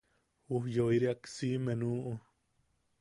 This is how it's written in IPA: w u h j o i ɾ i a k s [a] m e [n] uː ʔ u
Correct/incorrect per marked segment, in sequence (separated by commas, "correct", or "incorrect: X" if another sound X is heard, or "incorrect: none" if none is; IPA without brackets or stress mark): incorrect: i, correct